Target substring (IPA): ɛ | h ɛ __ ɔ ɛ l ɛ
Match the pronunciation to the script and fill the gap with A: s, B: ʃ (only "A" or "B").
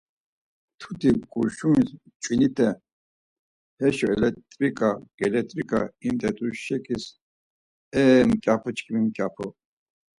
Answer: B